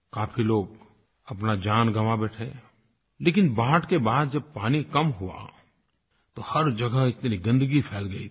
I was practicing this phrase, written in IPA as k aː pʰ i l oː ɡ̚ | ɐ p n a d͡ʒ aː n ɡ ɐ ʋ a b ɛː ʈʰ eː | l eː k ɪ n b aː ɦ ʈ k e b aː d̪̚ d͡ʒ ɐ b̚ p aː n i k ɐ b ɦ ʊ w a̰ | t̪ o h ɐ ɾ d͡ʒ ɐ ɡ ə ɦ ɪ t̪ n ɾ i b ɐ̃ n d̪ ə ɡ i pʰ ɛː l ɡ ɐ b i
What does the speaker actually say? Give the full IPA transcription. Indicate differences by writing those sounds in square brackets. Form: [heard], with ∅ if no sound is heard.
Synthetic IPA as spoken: k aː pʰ i l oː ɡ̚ | ɐ p n a d͡ʒ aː n ɡ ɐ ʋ a b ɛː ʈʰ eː | l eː k ɪ n b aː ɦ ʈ k e b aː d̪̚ d͡ʒ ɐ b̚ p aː n i k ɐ [m] ɦ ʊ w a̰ | t̪ o h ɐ ɾ d͡ʒ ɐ ɡ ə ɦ ɪ t̪ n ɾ i [ɡ] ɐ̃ n d̪ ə ɡ i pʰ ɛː l ɡ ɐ [∅] i